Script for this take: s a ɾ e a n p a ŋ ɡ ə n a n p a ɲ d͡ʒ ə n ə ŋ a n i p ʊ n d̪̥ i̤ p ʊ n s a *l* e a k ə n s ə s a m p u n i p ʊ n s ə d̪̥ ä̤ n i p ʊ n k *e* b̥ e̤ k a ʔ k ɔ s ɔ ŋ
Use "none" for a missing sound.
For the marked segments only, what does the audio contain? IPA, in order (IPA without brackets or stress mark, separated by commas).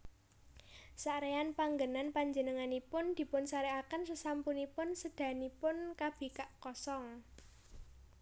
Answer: ɾ, a